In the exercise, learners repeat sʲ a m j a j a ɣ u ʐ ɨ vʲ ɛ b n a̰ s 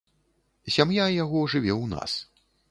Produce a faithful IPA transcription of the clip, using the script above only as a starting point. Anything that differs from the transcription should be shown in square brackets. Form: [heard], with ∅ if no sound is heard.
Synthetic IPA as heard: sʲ a m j a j a ɣ [ɔ] ʐ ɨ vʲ ɛ [w] n a̰ s

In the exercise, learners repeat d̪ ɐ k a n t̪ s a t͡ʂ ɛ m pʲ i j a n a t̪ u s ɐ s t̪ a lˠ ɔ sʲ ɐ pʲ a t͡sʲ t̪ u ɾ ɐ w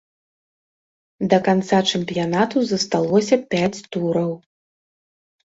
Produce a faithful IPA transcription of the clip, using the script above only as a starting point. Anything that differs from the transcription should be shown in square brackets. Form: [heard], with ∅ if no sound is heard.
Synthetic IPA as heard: d̪ ɐ k a n t̪ s a t͡ʂ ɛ m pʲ i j a n a t̪ u [z] ɐ s t̪ a lˠ ɔ sʲ ɐ pʲ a t͡sʲ t̪ u ɾ ɐ w

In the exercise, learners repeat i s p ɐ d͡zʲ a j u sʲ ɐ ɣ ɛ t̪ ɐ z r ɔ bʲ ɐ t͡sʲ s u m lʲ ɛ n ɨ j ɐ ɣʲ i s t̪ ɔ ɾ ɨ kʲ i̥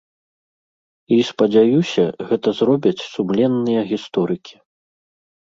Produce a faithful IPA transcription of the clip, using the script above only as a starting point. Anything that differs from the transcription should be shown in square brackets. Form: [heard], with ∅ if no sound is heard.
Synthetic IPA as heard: i s p ɐ d͡zʲ a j u sʲ ɐ ɣ ɛ t̪ ɐ z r ɔ bʲ ɐ t͡sʲ s u m lʲ ɛ [nː] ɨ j ɐ ɣʲ i s t̪ ɔ ɾ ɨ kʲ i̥

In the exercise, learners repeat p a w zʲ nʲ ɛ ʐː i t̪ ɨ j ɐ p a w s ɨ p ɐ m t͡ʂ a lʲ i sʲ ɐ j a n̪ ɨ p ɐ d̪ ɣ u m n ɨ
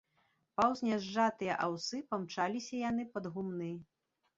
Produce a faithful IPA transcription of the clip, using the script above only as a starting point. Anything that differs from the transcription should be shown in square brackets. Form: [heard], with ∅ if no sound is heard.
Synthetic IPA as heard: p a w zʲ nʲ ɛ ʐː [a] t̪ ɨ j ɐ [ʔ] a w s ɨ p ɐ m t͡ʂ a lʲ i sʲ ɐ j a n̪ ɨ p ɐ d̪ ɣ u m n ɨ

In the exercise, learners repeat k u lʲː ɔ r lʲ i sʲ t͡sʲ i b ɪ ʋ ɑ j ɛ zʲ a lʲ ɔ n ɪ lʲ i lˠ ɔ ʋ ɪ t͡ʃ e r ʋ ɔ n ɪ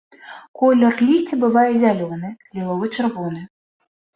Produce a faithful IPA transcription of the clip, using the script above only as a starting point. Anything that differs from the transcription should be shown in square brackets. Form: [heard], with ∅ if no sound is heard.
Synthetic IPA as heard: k [ɔ] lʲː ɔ r lʲ i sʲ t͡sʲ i b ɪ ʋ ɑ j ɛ zʲ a lʲ ɔ n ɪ lʲ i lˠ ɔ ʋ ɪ t͡ʃ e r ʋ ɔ n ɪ

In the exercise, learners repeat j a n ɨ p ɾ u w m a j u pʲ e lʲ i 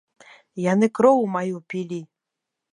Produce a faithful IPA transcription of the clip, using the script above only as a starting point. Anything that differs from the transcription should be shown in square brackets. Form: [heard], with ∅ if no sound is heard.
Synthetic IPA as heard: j a n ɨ [k] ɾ [ɔ] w m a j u pʲ [i] lʲ i

